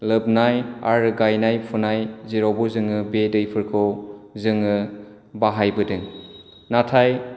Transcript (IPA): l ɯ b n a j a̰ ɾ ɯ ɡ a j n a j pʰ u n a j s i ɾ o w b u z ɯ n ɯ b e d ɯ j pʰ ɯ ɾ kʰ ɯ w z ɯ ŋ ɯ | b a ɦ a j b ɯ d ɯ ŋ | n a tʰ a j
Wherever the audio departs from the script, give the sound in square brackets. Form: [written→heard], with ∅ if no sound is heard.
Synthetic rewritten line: l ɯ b n a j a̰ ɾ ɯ ɡ a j n a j pʰ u n a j [s→z] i ɾ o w b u z ɯ [n→ŋ] ɯ b e d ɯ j pʰ ɯ ɾ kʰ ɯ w z ɯ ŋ ɯ | b a ɦ a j b ɯ d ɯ ŋ | n a tʰ a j